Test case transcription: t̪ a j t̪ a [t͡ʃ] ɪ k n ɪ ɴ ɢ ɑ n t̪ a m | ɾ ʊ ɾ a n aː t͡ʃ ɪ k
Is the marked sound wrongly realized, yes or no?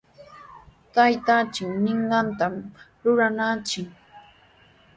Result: no